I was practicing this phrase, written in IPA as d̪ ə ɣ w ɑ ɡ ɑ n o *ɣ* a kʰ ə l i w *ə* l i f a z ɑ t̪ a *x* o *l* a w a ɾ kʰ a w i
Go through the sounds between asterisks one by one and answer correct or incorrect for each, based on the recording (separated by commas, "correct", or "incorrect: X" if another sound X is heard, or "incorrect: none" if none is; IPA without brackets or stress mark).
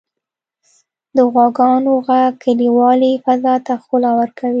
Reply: correct, incorrect: ɑ, correct, correct